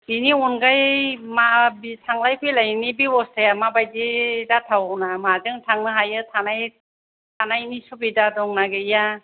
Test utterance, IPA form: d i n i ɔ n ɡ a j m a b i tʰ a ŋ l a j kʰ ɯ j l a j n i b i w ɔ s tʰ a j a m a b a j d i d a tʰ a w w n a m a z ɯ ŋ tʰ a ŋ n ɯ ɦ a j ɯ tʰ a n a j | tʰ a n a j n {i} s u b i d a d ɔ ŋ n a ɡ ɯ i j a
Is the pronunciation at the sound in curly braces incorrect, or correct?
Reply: correct